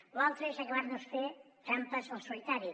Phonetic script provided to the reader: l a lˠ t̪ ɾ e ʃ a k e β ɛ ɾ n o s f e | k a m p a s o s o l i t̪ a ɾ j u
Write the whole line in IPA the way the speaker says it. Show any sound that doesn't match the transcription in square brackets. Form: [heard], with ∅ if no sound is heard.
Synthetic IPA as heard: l a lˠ t̪ ɾ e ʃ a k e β [a] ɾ n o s f e | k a m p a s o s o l i t̪ a ɾ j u